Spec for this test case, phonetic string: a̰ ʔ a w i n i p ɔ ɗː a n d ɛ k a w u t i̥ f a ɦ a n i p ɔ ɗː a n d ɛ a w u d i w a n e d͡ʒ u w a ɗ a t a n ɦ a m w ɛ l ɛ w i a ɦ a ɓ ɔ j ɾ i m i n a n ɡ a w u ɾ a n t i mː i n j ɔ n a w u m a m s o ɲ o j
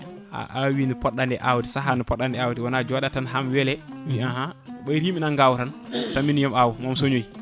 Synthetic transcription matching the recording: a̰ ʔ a w i n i p ɔ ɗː a n d ɛ ʔ a w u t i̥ s a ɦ a n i p ɔ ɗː a n d ɛ a w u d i w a n a d͡ʒ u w a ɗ a t a n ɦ a m w ɛ l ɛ w i a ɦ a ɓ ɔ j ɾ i m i n a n ɡ a w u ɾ a n t a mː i n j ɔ m a w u m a m s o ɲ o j